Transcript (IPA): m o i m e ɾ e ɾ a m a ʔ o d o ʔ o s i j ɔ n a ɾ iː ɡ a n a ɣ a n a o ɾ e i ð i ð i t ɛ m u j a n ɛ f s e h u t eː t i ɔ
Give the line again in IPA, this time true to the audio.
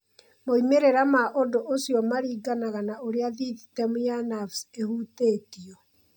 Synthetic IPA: m o i m e ɾ e ɾ a m a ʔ o d o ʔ o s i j ɔ m a ɾ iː ɡ a n a ɣ a n a o ɾ e a ð i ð i t ɛ m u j a n a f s e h u t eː t i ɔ